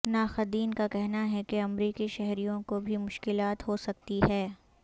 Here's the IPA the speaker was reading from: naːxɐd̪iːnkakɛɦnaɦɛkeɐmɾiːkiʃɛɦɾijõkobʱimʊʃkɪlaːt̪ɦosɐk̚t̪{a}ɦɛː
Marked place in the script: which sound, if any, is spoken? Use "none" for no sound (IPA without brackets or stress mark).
i